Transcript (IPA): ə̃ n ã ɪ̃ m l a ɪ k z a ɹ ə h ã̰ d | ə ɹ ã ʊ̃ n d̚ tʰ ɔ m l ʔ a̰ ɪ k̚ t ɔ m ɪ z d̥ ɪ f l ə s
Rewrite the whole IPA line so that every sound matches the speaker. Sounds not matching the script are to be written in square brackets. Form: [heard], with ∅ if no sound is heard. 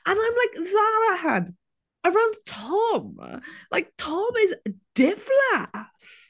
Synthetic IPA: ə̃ n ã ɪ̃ m l a ɪ k z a ɹ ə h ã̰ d | ə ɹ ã ʊ̃ n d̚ tʰ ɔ m l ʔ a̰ ɪ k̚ [tʰ] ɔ m ɪ z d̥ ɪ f l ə s